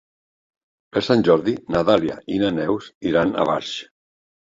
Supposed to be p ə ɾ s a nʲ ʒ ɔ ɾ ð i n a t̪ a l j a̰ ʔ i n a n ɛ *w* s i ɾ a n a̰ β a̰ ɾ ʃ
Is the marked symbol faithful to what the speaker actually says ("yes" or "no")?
yes